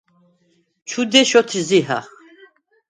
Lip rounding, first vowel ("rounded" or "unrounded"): rounded